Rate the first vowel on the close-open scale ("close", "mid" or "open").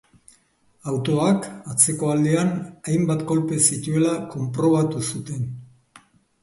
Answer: open